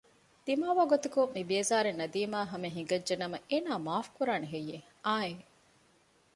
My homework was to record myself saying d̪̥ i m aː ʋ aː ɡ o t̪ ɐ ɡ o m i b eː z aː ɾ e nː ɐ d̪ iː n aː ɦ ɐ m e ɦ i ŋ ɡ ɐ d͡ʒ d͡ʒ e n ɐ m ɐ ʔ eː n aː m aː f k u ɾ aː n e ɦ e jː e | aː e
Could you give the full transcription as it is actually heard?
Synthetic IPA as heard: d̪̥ i m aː ʋ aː ɡ o t̪ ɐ k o m i b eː z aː ɾ e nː ɐ d̪ iː m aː ɦ ɐ m e ɦ i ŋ ɡ ɐ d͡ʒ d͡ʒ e n ɐ m ɐ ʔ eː n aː m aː f k u ɾ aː n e ɦ e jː e | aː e